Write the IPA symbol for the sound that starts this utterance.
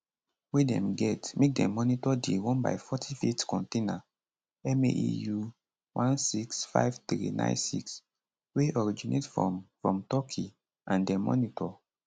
w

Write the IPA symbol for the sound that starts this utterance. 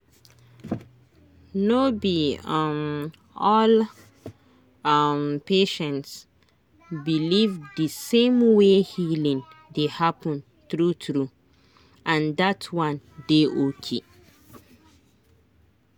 n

